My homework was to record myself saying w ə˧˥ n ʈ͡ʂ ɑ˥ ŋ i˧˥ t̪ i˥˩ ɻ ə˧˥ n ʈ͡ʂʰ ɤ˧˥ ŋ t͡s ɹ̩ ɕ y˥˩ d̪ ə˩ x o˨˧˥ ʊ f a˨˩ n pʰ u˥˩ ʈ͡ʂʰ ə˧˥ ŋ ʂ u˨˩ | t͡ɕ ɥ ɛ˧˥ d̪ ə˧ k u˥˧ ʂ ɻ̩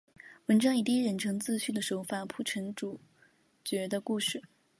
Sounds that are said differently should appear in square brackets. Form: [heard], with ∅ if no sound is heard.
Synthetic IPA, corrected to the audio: w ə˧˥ n ʈ͡ʂ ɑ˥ ŋ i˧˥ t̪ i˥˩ ɻ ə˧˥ n ʈ͡ʂʰ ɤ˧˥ ŋ t͡s ɹ̩ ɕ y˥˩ d̪ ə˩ [ʂ] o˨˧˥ ʊ f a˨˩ n pʰ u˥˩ ʈ͡ʂʰ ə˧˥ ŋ [ʈ͡ʂ] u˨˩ | t͡ɕ ɥ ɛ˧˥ d̪ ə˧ k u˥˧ ʂ ɻ̩